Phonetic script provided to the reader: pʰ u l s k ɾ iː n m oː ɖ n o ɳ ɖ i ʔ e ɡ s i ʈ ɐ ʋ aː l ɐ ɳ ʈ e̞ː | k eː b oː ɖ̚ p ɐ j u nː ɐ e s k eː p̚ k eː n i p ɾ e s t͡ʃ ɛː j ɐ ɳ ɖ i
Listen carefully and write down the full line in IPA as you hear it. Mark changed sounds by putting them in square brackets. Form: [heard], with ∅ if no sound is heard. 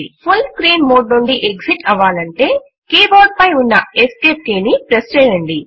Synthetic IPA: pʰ u l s k ɾ iː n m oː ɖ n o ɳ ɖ i ʔ e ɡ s i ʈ ɐ ʋ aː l ɐ ɳ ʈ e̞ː | k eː b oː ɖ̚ p ɐ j u nː ɐ e s k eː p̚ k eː n i p ɾ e s t͡ʃ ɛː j ɐ ɳ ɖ i